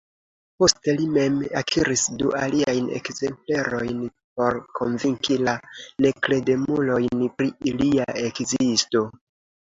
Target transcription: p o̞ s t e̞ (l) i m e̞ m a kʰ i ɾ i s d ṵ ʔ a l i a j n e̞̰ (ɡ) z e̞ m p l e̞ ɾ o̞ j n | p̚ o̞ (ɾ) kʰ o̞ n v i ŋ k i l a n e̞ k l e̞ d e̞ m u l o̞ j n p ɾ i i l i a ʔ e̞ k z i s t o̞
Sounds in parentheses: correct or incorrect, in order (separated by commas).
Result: correct, incorrect, correct